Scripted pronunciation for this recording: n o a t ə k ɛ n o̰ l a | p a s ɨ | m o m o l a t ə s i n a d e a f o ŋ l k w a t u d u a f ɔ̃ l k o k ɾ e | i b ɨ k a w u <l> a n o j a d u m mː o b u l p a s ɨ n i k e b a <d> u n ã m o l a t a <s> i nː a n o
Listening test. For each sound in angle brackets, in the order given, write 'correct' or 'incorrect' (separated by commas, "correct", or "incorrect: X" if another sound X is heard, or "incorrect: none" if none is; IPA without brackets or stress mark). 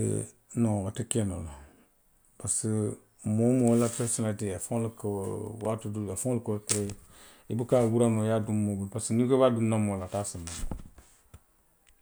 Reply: incorrect: ɾ, correct, correct